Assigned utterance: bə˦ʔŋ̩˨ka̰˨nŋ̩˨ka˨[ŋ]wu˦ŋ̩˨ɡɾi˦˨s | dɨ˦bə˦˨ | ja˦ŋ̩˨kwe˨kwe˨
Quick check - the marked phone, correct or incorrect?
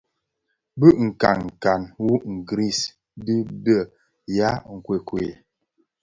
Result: incorrect